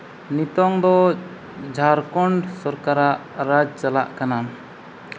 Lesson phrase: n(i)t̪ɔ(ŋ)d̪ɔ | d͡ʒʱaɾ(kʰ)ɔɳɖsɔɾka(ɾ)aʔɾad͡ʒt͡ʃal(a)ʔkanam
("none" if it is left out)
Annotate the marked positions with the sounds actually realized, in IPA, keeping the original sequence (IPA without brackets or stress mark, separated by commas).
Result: i, ŋ, k, ɾ, a